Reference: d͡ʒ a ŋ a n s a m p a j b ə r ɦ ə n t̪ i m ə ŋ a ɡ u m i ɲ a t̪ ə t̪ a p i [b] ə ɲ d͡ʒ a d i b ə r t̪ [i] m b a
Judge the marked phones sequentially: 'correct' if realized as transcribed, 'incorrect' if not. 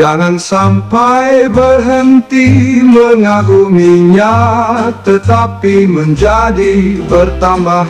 incorrect: m, incorrect: a

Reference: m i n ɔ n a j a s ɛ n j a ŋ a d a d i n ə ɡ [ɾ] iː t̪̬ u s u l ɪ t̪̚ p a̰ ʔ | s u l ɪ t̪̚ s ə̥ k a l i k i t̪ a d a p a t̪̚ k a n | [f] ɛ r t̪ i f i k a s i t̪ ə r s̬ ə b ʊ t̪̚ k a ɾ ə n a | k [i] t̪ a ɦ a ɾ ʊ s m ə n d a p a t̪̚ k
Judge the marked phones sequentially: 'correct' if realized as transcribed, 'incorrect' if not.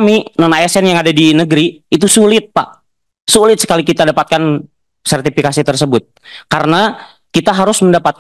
correct, incorrect: s, correct

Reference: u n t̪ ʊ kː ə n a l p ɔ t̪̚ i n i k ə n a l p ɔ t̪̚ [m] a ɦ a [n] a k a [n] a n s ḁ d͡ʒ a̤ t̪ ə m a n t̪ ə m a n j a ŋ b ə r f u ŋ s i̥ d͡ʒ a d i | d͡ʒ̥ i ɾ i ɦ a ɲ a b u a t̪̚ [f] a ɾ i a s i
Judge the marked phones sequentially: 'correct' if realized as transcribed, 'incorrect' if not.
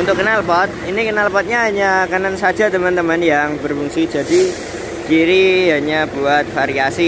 incorrect: ɲ, incorrect: ɲ, correct, correct

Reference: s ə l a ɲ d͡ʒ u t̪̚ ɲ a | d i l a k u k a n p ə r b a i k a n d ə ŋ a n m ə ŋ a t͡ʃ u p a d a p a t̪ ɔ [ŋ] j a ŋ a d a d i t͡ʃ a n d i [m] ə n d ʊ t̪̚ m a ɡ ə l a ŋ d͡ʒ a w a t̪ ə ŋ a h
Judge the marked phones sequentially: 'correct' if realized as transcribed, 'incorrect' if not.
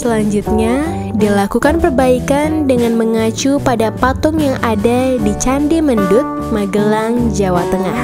correct, correct

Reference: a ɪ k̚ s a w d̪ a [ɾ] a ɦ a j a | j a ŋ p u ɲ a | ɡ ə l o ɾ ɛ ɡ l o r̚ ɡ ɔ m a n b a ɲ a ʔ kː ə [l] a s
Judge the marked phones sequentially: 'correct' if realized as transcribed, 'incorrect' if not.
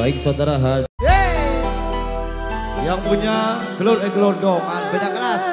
correct, incorrect: ɾ

